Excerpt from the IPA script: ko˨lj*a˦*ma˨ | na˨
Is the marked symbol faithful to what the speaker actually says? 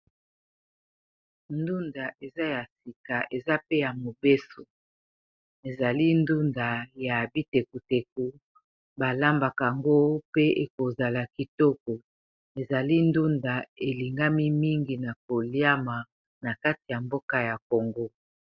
yes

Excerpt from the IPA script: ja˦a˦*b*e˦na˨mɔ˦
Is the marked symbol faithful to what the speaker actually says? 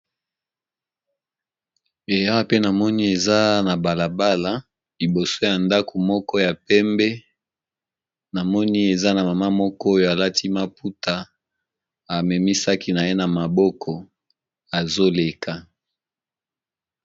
no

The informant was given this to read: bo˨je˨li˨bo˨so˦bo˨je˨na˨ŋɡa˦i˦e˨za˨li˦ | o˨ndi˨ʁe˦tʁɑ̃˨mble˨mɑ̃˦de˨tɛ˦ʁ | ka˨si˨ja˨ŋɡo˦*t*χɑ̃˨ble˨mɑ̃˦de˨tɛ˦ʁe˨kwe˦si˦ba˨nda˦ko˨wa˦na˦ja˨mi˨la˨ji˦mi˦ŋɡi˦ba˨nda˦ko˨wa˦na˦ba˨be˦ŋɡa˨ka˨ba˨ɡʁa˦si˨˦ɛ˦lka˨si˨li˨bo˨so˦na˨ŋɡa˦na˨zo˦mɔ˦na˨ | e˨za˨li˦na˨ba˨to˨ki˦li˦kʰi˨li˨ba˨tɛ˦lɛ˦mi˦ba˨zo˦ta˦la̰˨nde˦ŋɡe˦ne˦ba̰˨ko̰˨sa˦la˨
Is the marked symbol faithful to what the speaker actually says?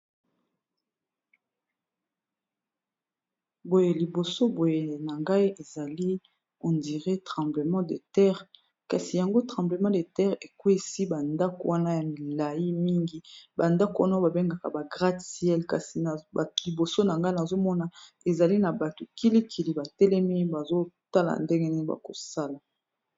yes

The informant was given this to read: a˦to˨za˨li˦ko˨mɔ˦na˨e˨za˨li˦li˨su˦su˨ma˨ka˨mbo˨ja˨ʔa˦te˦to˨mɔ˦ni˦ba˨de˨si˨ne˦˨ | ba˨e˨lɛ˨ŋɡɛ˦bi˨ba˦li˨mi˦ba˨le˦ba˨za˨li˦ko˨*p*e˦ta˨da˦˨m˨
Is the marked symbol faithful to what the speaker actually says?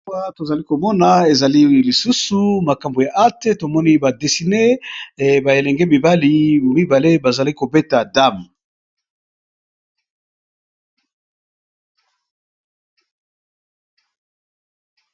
no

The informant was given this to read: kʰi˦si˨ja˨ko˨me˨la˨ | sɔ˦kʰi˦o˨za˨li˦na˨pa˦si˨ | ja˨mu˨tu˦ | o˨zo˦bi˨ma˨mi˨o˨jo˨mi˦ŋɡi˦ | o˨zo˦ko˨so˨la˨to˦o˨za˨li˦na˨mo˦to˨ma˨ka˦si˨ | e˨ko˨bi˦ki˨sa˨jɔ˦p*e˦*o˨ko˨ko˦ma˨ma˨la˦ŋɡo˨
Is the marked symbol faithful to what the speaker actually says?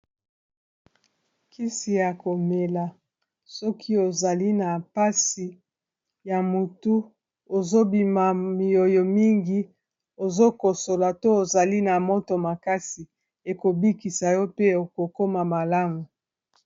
yes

